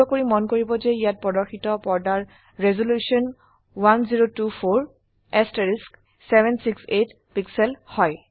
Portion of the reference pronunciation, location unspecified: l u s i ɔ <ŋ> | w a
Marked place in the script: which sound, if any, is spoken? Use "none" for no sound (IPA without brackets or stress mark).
n